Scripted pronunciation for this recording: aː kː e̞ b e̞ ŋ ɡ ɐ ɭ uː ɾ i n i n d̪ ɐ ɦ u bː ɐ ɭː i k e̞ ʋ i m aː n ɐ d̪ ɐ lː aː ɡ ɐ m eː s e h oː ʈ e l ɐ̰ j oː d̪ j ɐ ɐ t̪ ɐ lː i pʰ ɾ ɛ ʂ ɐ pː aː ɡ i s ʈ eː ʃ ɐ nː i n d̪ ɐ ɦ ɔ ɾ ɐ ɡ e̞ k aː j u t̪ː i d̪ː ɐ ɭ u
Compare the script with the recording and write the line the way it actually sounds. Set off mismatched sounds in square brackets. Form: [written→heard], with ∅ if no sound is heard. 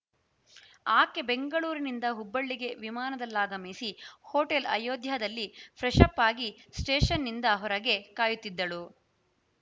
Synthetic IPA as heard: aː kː e̞ b e̞ ŋ ɡ ɐ ɭ uː ɾ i n i n d̪ ɐ ɦ u bː ɐ ɭː i [k→ɡ] e̞ ʋ i m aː n ɐ d̪ ɐ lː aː ɡ ɐ m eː s [e→i] h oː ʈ e l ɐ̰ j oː d̪ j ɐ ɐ [t̪→d̪] ɐ lː i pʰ ɾ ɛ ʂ ɐ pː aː ɡ i s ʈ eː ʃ ɐ nː i n d̪ ɐ ɦ ɔ ɾ ɐ ɡ e̞ k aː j u t̪ː i d̪ː ɐ ɭ u